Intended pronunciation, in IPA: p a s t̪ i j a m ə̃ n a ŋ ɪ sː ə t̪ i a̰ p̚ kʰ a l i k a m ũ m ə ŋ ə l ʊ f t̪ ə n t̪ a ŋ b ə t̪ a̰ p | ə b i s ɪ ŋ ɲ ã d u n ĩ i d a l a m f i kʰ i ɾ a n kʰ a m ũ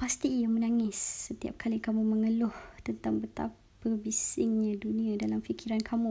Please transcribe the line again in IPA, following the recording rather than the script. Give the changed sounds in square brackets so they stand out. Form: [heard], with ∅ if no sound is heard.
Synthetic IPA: p a s t̪ i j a m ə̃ n a ŋ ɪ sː ə t̪ i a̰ p̚ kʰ a l i k a m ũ m ə ŋ ə l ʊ [h] t̪ ə n t̪ a ŋ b ə t̪ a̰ p | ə b i s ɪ ŋ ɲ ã d u n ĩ [a] d a l a m f i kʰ i ɾ a n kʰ a m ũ